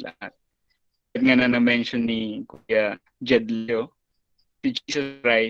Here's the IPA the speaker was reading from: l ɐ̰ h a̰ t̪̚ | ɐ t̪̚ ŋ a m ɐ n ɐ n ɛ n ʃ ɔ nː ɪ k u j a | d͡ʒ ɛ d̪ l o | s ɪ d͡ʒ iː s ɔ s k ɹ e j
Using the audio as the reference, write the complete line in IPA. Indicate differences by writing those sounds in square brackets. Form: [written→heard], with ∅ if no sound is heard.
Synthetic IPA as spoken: l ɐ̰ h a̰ t̪̚ | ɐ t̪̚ ŋ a [m→n] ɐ n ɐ [n→m] ɛ n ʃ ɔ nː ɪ k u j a | d͡ʒ ɛ d̪ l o | s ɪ d͡ʒ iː s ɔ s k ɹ [e→a] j